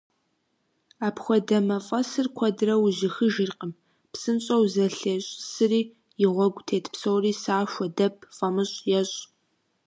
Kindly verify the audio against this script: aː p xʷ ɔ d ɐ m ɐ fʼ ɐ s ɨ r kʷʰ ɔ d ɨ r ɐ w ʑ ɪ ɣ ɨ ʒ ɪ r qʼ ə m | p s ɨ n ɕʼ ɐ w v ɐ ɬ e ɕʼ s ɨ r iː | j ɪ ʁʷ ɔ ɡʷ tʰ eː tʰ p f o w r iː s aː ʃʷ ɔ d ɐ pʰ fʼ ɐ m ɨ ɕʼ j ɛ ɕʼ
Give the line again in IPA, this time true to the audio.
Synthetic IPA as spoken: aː p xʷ ɔ d ɐ m ɐ fʼ ɐ s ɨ r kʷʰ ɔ d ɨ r ɐ w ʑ ɪ x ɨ ʒ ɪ r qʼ ə m | p s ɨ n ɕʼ ɐ w z ɐ ɬ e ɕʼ s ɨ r iː | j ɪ ʁʷ ɔ ɡʷ tʰ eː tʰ p s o w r iː s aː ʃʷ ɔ d ɐ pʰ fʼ ɐ m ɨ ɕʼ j ɛ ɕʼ